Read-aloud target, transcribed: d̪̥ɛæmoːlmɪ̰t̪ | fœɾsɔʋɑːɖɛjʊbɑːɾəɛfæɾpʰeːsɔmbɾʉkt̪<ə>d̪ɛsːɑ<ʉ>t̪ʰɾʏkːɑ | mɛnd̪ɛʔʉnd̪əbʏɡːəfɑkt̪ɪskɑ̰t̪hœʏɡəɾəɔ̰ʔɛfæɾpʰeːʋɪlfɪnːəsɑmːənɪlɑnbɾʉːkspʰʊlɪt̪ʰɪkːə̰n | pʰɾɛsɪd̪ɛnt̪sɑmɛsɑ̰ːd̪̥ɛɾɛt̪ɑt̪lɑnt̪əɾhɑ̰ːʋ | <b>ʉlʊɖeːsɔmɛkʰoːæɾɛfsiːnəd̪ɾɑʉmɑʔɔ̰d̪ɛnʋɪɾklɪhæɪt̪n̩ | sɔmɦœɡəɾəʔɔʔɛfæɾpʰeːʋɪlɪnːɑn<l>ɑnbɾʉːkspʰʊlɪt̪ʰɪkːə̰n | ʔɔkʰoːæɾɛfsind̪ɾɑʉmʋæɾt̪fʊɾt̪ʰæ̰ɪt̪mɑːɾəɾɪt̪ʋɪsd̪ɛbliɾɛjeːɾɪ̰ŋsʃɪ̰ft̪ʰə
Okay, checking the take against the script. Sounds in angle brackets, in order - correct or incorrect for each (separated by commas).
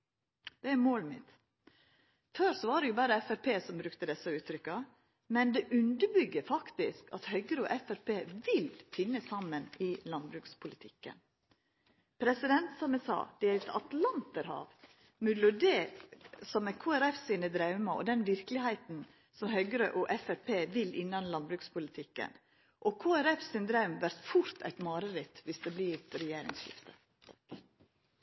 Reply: correct, incorrect, incorrect, correct